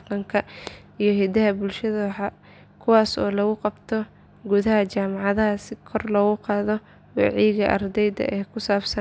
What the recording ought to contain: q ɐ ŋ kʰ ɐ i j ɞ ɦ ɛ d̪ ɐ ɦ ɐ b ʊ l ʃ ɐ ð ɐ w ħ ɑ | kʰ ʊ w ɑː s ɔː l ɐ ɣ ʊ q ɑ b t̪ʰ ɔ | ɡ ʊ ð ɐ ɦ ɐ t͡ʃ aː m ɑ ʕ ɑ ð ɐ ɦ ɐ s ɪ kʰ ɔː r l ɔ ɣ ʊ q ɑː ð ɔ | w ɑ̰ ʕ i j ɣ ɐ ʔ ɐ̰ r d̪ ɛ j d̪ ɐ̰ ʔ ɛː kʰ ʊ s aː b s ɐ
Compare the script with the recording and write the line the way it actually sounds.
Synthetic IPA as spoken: q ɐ ŋ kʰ ɐ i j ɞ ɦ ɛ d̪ ɐ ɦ ɐ b ʊ l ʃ ɐ ð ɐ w ħ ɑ | kʰ ʊ w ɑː s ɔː l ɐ ɣ ʊ q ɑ b t̪ʰ ɔ | ɡ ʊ ð ɐ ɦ ɐ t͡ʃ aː m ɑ ʕ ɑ ð ɐ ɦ ɐ s ɪ kʰ ɔ r l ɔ ɣ ʊ q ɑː ð ɔ | w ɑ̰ ʕ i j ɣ ɐ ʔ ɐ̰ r d̪ ɛ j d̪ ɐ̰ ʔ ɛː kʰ ʊ s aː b s ɐ